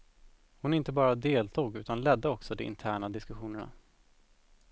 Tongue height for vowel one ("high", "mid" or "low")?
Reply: high